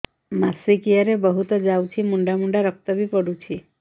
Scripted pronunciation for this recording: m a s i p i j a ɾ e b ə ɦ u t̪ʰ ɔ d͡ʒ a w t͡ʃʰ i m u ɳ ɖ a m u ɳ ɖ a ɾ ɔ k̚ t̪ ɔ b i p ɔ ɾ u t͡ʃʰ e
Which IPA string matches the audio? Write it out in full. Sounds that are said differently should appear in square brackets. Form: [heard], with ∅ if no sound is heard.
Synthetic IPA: m a s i [k] i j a ɾ e b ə ɦ u [t̪] ɔ d͡ʒ a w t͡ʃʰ i m u ɳ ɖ a m u ɳ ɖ a ɾ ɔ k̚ t̪ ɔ b i p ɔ [ɽ] u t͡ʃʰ [i]